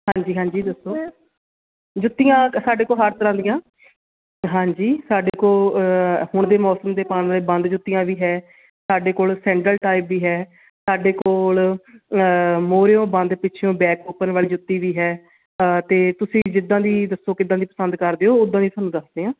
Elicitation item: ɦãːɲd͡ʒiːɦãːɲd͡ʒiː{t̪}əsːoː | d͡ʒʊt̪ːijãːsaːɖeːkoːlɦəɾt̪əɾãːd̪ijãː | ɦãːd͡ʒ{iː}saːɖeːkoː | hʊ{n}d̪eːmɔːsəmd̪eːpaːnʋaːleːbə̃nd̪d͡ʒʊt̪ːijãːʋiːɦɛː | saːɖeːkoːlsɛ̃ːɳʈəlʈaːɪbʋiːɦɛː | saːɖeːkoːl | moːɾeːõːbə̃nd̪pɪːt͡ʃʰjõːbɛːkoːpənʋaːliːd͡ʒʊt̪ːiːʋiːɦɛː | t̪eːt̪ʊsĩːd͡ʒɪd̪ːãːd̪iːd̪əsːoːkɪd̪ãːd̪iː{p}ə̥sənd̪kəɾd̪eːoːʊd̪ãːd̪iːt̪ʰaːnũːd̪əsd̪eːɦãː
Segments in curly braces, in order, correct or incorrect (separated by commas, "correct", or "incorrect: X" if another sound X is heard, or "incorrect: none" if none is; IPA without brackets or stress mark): incorrect: d̪, correct, incorrect: ɳ, correct